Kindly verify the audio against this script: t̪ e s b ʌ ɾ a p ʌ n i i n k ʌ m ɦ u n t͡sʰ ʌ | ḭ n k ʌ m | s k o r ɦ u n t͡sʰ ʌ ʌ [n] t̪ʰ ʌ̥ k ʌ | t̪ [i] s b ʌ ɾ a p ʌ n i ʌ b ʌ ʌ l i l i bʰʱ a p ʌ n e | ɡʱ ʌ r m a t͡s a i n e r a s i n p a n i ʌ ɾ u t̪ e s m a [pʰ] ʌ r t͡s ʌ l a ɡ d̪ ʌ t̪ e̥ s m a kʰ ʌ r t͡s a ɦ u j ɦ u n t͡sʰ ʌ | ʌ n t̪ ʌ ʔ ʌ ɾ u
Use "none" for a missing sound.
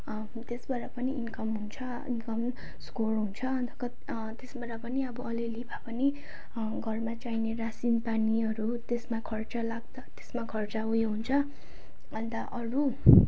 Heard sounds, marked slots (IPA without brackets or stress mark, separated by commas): n, e, kʰ